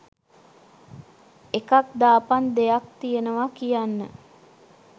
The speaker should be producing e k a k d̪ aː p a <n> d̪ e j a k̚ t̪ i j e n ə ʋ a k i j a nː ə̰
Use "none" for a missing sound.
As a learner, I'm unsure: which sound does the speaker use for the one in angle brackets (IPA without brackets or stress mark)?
n